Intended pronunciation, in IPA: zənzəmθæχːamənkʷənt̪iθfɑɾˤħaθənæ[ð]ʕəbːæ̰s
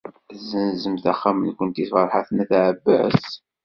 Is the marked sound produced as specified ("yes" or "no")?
no